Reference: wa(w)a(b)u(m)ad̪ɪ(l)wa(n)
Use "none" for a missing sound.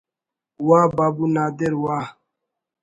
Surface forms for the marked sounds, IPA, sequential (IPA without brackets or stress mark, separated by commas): b, b, n, ɾ, none